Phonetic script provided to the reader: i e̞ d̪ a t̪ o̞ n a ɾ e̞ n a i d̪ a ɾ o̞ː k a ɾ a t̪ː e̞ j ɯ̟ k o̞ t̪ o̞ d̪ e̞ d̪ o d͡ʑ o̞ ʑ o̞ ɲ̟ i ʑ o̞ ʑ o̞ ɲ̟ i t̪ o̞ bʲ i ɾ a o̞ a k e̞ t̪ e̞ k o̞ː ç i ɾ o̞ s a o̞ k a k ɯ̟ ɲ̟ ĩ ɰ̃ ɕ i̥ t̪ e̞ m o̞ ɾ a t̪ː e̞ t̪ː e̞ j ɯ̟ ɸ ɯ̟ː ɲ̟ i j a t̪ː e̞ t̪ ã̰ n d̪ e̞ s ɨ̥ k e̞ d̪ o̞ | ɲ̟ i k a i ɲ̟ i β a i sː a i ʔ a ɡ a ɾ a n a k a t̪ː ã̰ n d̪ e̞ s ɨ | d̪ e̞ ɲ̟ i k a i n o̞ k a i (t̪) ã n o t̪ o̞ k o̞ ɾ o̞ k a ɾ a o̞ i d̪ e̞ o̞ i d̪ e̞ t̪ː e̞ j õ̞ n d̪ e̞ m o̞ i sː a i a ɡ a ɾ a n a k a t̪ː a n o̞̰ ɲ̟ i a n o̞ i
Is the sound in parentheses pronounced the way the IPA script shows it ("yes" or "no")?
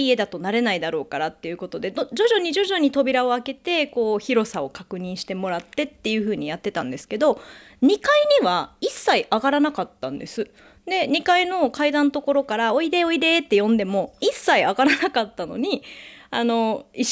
no